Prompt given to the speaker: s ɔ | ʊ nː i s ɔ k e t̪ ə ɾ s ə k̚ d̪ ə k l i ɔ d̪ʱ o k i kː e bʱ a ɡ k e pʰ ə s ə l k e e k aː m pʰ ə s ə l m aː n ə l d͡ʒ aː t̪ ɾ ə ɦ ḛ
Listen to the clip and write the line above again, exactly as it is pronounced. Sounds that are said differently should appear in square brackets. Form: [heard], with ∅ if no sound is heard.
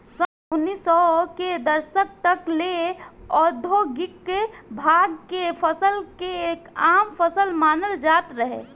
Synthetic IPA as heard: s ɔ | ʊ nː i s ɔ k e [d̪] ə ɾ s ə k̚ [t̪] ə k l [e] ɔ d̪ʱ o [ɡ] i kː e bʱ a ɡ k e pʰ ə s ə l k e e k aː m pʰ ə s ə l m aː n ə l d͡ʒ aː t̪ ɾ ə ɦ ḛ

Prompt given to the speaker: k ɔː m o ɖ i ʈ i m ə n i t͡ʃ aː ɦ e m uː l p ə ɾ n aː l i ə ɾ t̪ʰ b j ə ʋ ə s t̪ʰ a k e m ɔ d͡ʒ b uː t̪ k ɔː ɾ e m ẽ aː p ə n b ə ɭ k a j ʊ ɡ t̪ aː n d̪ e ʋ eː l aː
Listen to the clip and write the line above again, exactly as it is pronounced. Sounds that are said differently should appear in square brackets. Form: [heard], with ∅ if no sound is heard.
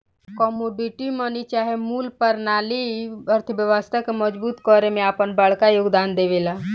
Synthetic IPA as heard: k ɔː m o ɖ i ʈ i m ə n i t͡ʃ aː ɦ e m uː l p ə ɾ n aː l i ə ɾ t̪ʰ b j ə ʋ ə s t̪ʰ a k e m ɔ d͡ʒ b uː t̪ k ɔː ɾ e m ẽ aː p ə n b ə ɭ k a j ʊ ɡ [d̪] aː n d̪ e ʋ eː l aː

